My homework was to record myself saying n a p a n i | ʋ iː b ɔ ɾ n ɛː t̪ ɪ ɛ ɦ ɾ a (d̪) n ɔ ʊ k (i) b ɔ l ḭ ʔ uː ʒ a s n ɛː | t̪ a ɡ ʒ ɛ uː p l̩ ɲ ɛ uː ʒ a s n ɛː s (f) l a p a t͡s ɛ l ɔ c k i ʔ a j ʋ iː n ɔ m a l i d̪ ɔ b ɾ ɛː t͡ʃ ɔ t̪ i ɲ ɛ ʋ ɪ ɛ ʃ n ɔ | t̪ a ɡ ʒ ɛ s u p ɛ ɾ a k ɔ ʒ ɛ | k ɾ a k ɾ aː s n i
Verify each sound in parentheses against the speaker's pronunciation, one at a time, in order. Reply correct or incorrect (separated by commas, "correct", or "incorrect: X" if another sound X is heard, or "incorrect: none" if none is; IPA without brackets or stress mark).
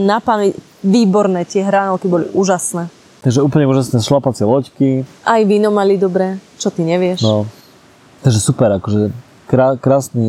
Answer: incorrect: none, correct, incorrect: ʃ